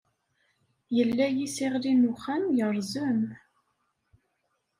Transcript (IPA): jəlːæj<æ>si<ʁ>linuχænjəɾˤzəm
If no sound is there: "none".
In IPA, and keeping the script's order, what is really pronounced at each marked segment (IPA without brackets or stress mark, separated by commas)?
i, ʁ